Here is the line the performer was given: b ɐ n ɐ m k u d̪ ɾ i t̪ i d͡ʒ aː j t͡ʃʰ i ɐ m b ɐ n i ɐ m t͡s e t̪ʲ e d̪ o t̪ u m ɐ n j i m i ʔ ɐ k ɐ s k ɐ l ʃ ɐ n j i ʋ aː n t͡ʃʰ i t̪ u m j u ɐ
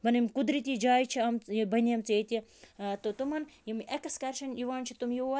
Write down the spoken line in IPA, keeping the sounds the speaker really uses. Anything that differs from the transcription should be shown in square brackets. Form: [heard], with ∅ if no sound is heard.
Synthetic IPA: b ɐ n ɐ m k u d̪ ɾ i t̪ i d͡ʒ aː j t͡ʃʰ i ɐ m b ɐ n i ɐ m t͡s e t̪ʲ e [t̪] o t̪ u m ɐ n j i m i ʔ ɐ k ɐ s k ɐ [ɾ] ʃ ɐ n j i ʋ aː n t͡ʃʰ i t̪ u m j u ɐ